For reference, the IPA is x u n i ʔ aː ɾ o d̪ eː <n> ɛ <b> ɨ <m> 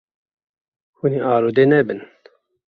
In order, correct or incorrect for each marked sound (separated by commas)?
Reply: correct, correct, incorrect